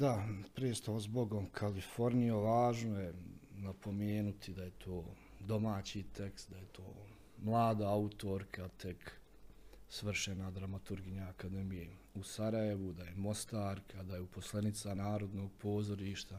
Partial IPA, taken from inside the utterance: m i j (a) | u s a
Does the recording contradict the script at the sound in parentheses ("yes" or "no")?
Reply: yes